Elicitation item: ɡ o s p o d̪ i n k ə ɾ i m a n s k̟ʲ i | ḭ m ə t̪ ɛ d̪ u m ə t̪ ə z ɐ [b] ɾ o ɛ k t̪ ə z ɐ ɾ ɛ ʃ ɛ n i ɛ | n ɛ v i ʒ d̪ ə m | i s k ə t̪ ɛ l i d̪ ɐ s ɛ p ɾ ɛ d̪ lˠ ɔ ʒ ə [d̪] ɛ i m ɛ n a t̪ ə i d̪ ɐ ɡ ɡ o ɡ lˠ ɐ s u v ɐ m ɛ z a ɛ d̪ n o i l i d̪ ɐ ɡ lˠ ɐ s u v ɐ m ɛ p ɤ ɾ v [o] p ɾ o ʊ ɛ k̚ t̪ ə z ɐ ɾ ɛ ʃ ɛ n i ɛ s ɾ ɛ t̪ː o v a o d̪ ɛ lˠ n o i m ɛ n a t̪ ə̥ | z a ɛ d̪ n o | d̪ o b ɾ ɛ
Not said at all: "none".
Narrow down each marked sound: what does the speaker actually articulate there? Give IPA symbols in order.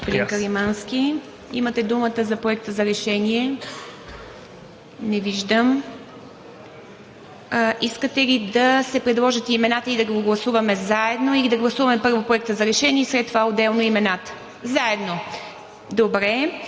p, t̪, o

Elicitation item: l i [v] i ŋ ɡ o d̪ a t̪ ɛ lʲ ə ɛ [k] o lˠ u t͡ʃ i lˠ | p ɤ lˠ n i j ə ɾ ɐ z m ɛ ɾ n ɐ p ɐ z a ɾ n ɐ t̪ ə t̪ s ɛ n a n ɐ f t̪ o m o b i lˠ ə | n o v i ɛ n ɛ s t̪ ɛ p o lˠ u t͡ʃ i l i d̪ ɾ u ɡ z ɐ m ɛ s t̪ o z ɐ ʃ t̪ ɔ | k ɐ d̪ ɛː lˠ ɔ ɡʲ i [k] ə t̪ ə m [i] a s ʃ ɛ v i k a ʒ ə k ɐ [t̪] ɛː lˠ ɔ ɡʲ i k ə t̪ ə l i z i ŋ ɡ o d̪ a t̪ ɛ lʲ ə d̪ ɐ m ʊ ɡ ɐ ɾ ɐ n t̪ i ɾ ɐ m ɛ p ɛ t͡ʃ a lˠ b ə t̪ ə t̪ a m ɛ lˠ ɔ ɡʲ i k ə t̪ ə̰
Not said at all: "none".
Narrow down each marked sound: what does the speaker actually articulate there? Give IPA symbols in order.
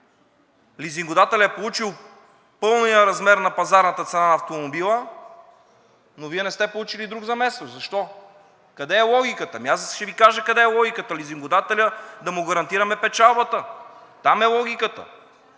z, p, k, i, d̪

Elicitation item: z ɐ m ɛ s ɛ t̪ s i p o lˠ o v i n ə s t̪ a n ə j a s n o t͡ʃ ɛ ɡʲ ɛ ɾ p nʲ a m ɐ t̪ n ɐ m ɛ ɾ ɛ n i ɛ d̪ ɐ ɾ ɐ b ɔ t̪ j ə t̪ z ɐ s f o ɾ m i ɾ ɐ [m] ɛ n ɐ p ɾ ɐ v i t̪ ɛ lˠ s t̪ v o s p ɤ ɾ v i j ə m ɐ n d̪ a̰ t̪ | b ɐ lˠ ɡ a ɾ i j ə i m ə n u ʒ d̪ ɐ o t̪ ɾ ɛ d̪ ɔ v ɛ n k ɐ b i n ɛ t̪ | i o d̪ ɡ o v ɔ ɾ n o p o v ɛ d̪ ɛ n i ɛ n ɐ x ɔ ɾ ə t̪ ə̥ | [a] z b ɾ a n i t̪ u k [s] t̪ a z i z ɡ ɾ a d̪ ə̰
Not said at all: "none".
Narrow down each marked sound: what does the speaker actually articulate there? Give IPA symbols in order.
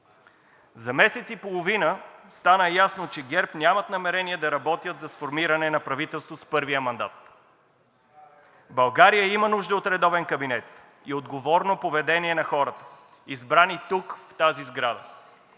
n, i, f

